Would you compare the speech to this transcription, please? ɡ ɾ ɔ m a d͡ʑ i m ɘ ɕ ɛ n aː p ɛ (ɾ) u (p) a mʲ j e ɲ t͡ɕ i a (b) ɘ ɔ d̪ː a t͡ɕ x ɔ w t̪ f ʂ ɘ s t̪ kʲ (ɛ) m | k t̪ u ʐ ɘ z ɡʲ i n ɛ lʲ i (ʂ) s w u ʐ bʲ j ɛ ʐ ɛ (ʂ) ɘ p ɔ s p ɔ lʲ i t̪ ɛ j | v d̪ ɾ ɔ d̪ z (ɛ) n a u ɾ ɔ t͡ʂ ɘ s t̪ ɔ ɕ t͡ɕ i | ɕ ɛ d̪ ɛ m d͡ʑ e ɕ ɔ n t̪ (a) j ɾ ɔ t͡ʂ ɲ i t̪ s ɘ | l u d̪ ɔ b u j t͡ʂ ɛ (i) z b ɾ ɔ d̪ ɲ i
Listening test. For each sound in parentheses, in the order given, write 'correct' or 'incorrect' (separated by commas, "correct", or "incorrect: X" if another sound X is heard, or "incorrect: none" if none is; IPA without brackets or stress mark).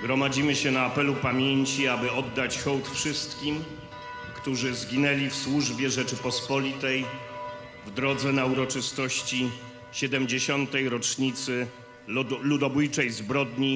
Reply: incorrect: l, correct, correct, incorrect: i, incorrect: f, incorrect: t͡ʂ, correct, incorrect: ɛ, incorrect: j